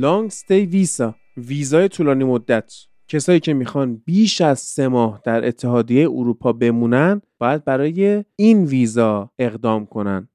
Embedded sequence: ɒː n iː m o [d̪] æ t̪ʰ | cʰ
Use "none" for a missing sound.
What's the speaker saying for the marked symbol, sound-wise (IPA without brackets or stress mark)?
d̪ː